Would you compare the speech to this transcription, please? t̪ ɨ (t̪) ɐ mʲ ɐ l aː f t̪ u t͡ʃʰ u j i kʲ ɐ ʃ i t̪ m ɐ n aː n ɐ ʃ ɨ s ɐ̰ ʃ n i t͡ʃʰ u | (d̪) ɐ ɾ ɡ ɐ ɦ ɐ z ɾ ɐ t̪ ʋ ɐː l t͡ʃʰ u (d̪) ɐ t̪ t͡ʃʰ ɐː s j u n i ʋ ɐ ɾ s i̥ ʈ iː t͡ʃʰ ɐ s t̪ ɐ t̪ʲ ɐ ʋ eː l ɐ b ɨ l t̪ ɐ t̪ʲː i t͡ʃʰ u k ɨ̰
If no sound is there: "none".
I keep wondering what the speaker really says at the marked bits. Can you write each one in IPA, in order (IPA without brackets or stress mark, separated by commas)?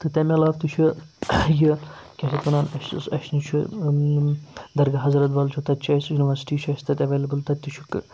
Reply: t̪, d̪, t̪